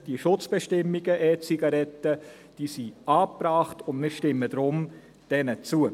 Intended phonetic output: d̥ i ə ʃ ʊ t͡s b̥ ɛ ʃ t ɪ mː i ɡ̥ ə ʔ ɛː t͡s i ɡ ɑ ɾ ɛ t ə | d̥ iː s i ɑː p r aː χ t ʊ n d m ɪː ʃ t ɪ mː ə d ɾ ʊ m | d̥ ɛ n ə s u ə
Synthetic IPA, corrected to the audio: d̥ i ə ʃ ʊ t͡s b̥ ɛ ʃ t ɪ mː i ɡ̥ ə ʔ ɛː t͡s i ɡ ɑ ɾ ɛ t ə | d̥ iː s i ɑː p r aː χ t ʊ n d m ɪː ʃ t ɪ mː ə d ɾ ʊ m | d̥ ɛ n ə t͡s u ə